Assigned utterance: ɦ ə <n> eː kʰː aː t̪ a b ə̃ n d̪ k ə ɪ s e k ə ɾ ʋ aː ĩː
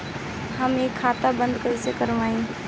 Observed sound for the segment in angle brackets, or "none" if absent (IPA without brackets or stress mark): m